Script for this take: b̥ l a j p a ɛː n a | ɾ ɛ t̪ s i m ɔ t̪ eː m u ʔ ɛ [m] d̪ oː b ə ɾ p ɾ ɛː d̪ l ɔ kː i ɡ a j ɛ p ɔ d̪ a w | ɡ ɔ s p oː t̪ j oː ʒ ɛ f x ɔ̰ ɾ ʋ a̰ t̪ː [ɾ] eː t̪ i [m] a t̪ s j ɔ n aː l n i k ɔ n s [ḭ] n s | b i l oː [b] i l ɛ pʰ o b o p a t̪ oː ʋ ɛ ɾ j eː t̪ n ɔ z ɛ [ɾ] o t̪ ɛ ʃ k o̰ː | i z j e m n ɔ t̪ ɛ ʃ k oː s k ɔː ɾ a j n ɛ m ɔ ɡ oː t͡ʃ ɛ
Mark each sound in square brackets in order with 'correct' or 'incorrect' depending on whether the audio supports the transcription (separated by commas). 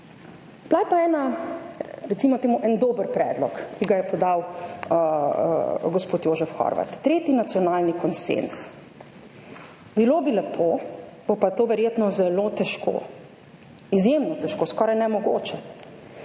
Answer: incorrect, correct, incorrect, incorrect, correct, incorrect